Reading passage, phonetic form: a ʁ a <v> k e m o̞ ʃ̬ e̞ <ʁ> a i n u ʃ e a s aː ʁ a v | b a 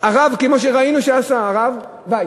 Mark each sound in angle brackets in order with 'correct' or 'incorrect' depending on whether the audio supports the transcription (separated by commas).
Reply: correct, correct